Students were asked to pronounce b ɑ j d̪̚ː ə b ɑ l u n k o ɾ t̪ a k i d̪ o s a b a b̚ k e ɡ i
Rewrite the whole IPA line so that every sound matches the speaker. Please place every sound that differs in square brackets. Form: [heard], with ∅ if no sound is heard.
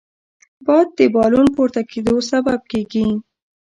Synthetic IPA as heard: b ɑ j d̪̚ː ə b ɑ l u n [p] o ɾ t̪ a k [e] d̪ o s a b a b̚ k e ɡ i